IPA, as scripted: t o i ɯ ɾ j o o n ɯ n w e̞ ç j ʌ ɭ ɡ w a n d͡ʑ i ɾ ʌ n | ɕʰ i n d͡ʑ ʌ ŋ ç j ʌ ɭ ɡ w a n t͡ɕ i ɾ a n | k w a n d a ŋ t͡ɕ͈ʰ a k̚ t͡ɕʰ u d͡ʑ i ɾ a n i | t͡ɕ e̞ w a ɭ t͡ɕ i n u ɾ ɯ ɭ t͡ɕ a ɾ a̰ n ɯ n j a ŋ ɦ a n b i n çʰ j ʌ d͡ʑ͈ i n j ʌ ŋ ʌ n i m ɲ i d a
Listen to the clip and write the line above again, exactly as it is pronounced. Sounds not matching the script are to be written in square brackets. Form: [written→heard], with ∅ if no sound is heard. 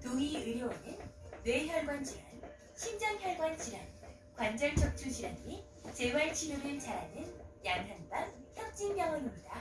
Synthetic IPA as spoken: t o i ɯ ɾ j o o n ɯ n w e̞ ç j ʌ ɭ ɡ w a n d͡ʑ i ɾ [ʌ→a] n | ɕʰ i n d͡ʑ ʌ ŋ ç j ʌ ɭ ɡ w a n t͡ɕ i ɾ a n | k w a n [d→d͡ʑ] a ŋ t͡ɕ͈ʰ [a→ʌ] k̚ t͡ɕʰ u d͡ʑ i ɾ a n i | t͡ɕ e̞ w a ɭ [t͡ɕ→t͡ɕʰ] i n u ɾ ɯ ɭ t͡ɕ a ɾ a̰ n ɯ n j a ŋ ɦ a n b [i→a] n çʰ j ʌ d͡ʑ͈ i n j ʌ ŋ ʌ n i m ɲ i d a